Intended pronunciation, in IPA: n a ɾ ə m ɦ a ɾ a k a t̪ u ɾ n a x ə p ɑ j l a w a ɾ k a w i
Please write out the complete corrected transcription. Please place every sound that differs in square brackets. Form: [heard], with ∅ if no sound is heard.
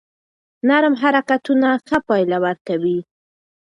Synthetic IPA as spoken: n a ɾ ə m ɦ a ɾ a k a t̪ u [∅] n a x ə p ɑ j l a w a ɾ k a w i